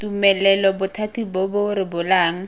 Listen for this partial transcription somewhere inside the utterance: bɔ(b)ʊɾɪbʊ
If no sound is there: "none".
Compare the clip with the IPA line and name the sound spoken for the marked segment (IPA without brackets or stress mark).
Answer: b